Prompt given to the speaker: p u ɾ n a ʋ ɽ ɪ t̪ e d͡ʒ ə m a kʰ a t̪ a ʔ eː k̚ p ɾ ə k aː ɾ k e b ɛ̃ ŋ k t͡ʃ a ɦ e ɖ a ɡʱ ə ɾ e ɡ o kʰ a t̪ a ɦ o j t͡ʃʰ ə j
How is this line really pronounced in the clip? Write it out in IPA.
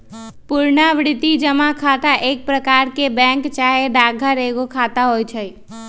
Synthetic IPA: p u ɾ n a ʋ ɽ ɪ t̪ i d͡ʒ ə m a kʰ a t̪ a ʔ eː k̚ p ɾ ə k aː ɾ k e b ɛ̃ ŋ k t͡ʃ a ɦ e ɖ a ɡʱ ə ɾ e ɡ o kʰ a t̪ a ɦ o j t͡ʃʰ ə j